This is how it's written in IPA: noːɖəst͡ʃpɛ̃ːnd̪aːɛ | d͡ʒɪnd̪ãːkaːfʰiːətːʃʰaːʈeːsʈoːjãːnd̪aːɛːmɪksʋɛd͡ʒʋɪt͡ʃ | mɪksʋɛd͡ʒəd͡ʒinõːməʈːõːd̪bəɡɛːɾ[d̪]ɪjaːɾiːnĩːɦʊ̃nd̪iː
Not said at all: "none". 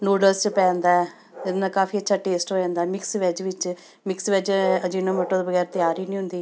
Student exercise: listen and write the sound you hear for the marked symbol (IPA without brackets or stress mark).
t̪